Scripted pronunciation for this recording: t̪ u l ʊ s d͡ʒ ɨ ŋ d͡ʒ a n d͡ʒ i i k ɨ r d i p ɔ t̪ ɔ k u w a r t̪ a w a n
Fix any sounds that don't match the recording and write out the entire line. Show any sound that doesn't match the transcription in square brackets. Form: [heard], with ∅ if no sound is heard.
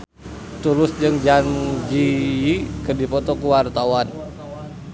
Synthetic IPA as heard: t̪ u l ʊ s d͡ʒ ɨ ŋ d͡ʒ a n d͡ʒ i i k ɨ r d i p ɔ t̪ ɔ k u w a r t̪ a w a n